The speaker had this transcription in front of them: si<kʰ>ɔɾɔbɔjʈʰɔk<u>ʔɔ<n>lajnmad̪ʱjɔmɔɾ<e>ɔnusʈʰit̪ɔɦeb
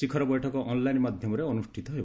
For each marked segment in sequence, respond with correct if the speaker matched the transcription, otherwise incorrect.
correct, incorrect, correct, correct

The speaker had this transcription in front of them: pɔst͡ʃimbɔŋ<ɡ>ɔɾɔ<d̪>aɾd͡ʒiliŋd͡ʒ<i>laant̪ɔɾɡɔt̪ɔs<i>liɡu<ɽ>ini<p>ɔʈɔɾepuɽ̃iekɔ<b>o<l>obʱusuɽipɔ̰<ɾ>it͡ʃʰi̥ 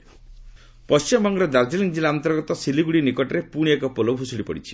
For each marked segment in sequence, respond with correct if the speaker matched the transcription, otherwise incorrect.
correct, correct, correct, correct, correct, incorrect, incorrect, correct, incorrect

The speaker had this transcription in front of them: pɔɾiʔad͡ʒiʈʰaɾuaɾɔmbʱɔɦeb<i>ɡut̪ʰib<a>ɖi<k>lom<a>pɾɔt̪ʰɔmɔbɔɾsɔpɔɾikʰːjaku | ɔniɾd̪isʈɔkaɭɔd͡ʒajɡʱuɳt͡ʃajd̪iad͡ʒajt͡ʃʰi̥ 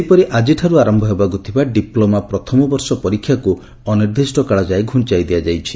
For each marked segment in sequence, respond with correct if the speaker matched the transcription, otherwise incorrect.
incorrect, correct, incorrect, correct

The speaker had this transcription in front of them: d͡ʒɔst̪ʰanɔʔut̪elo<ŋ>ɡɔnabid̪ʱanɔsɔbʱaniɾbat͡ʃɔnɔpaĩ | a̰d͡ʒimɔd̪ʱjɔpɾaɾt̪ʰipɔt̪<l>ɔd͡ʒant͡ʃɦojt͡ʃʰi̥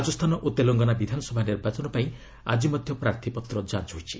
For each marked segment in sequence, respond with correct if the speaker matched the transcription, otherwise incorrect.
correct, incorrect

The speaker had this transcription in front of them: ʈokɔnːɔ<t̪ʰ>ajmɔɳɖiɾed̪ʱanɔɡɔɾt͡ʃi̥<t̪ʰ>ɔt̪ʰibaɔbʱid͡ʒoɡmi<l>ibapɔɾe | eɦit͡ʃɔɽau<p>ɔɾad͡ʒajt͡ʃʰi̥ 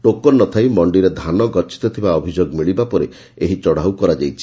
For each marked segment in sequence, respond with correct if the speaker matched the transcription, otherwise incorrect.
correct, incorrect, incorrect, incorrect

